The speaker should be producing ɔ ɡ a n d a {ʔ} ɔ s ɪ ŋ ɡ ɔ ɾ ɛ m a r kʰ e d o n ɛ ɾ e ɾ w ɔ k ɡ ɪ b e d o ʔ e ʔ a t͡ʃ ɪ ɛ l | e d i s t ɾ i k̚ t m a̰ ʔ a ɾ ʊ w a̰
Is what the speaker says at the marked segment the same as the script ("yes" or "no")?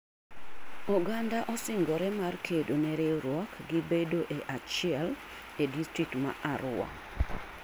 yes